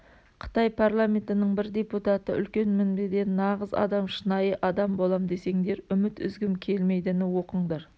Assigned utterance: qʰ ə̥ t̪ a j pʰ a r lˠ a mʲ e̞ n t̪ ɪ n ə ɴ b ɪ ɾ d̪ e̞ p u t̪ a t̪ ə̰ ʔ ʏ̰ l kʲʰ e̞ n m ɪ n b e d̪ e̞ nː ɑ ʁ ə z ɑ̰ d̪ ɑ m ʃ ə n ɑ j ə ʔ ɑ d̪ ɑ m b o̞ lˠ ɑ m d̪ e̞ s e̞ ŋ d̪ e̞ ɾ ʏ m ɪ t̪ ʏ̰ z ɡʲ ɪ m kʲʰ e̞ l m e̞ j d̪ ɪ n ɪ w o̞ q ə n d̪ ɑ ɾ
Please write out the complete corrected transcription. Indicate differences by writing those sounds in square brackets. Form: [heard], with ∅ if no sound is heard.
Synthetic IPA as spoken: qʰ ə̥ t̪ [ɑ] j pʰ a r lˠ a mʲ e̞ n t̪ ɪ n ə ɴ b ɪ ɾ d̪ e̞ p u t̪ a t̪ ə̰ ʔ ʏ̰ l [kʲ] e̞ n m ɪ n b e d̪ e̞ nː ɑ ʁ ə z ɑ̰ d̪ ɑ m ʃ ə n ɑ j ə ʔ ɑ d̪ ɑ m b o̞ lˠ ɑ m d̪ e̞ s e̞ ŋ d̪ e̞ ɾ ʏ m ɪ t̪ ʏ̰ z ɡʲ ɪ m kʲʰ e̞ l m e̞ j d̪ ɪ n ɪ w o̞ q ə [ɴ] d̪ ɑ ɾ